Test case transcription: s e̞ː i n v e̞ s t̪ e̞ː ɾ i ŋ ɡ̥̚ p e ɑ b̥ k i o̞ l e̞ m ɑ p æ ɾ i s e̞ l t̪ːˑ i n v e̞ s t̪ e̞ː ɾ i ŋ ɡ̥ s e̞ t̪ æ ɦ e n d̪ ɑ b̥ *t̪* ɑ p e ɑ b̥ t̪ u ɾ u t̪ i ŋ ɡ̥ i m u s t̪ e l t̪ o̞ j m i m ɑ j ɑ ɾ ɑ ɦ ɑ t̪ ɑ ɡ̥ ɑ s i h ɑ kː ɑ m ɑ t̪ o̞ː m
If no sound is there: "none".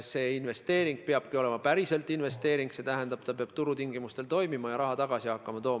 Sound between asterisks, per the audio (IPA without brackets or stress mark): t̪